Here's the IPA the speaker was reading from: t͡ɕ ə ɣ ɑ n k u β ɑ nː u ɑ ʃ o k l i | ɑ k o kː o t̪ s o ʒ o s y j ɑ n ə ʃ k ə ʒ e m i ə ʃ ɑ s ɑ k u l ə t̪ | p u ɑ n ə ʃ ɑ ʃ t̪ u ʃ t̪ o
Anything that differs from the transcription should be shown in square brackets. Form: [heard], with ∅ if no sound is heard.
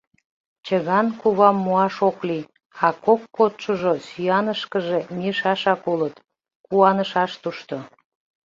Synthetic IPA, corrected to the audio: t͡ɕ ə ɣ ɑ n k u β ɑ [mː] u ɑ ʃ o k l i | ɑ k o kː o t̪ [ʃ] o ʒ o s y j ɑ n ə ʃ k ə ʒ e m i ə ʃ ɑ [ʃ] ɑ k u l ə t̪ | [k] u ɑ n ə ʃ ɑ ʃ t̪ u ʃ t̪ o